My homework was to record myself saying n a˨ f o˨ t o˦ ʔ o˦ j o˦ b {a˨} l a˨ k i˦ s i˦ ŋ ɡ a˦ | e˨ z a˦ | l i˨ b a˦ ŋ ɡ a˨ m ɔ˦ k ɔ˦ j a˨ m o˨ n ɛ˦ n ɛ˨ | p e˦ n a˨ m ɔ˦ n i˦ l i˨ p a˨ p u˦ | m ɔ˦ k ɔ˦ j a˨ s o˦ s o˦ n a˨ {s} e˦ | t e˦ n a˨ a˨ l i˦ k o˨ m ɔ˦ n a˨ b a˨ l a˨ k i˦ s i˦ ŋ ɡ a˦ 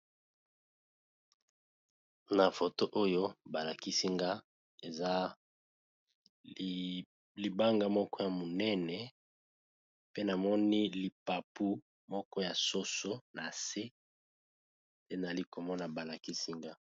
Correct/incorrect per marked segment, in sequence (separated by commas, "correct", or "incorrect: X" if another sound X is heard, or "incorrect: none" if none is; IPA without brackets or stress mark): correct, correct